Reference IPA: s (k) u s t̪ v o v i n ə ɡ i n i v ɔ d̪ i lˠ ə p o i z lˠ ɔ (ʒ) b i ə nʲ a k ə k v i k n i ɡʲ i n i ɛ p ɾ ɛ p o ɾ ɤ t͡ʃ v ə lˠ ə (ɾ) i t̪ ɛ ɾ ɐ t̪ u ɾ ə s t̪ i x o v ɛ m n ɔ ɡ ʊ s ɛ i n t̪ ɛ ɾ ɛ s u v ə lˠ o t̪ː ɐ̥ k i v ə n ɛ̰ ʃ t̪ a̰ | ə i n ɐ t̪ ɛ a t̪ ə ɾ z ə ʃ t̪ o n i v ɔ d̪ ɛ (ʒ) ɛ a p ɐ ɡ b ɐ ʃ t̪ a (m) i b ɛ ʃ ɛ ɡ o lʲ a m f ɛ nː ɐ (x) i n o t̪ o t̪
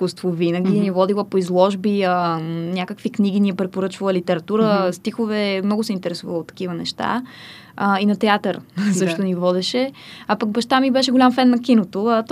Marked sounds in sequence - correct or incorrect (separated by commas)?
correct, correct, incorrect, incorrect, correct, incorrect